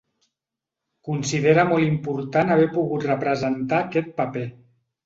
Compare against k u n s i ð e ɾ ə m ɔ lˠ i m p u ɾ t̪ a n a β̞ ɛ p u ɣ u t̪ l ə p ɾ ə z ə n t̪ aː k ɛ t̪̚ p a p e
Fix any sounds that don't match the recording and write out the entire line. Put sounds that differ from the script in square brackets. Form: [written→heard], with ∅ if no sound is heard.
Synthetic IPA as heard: k u n s i ð e ɾ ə m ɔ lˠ i m p u ɾ t̪ a n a β̞ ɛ p u ɣ u t̪ [l→r] ə p ɾ ə z ə n t̪ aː k ɛ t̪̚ p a p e